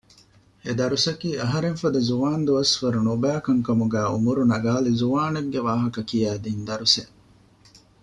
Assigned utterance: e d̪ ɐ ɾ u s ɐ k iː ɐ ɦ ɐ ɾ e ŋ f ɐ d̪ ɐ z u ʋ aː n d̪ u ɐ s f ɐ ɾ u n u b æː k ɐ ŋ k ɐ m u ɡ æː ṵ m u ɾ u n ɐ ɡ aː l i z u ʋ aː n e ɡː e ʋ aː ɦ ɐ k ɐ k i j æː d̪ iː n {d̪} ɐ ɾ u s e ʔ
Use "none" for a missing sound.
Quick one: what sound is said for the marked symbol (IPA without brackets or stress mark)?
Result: d̪